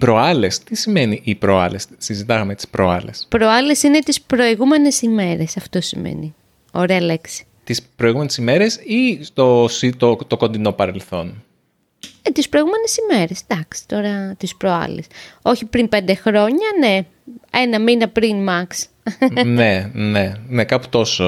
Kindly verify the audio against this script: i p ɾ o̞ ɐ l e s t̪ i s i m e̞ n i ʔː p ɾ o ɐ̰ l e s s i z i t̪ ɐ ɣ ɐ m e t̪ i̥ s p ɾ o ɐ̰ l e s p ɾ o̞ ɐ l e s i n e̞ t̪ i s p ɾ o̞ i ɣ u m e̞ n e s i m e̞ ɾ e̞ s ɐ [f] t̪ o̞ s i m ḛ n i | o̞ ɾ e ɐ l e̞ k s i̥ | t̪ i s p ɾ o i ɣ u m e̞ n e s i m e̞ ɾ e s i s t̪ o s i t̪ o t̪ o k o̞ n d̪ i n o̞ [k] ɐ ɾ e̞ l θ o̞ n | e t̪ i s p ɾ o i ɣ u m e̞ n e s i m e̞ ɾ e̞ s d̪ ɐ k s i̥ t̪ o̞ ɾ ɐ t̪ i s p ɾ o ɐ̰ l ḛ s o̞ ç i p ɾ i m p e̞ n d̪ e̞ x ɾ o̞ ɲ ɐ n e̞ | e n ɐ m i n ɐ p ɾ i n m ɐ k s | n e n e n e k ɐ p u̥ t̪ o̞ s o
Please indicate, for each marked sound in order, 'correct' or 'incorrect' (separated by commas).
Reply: correct, incorrect